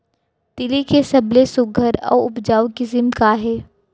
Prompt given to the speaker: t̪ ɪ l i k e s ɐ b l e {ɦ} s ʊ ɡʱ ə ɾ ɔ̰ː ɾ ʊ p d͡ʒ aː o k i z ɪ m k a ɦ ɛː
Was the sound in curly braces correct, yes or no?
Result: no